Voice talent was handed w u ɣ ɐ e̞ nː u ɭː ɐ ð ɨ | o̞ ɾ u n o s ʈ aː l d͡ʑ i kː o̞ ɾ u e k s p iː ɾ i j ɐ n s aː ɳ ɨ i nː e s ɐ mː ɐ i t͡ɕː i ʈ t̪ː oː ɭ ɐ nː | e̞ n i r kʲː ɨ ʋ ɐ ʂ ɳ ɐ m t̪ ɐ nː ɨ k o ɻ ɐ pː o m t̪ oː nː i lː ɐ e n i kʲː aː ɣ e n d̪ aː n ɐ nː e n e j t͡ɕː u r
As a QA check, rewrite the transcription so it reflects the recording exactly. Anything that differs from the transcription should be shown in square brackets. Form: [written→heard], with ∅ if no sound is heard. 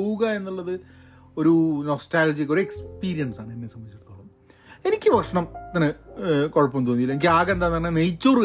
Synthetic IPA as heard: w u ɣ ɐ e̞ nː u ɭː ɐ ð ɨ | o̞ ɾ u n o s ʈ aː l d͡ʑ i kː o̞ ɾ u e k s p iː ɾ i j ɐ n s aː ɳ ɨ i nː e s ɐ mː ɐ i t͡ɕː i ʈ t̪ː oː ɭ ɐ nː | e̞ n i [r→∅] kʲː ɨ ʋ ɐ ʂ ɳ ɐ m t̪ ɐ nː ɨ k o ɻ ɐ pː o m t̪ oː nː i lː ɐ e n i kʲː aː ɣ e n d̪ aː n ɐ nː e n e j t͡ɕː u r